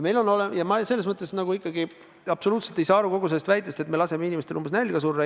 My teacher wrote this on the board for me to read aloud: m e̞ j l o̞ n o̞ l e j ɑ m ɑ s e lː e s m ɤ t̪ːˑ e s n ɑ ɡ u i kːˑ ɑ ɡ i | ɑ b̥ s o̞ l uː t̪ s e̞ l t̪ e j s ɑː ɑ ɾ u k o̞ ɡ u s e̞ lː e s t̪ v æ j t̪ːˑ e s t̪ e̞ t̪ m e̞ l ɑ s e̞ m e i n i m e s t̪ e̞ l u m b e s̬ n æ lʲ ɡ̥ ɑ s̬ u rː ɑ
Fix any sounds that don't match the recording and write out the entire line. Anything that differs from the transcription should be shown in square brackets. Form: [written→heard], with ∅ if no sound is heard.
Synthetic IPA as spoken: m e̞ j l o̞ n o̞ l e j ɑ m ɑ s e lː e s m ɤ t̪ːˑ e s n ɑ ɡ u i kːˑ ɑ ɡ i | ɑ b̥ s o̞ l uː t̪ s e̞ l t̪ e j s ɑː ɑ ɾ u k o̞ ɡ u s e̞ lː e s t̪ v æ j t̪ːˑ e s t̪ e̞ t̪ m e̞ l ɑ s e̞ m e i n i m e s t̪ e̞ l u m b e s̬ n æ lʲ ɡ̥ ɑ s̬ u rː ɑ